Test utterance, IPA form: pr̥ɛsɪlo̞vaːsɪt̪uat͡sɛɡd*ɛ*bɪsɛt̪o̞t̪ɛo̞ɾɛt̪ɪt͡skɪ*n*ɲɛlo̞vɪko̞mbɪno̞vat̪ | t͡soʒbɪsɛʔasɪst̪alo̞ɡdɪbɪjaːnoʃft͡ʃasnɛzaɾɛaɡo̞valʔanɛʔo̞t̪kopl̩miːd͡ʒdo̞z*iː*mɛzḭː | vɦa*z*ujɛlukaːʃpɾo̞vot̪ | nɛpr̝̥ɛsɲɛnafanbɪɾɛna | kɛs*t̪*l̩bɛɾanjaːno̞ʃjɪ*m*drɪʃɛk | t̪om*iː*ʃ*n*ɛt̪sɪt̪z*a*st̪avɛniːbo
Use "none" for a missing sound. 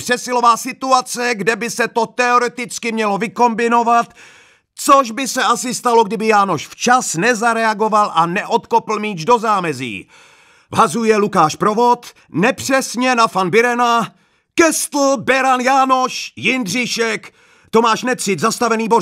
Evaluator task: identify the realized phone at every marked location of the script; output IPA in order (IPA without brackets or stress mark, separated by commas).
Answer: ɛ, m, aː, z, t̪, n, aː, n, a